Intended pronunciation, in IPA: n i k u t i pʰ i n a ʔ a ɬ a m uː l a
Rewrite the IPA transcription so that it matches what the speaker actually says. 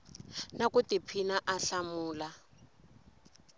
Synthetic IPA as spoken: n a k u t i pʰ i n a ʔ a ɬ a m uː l a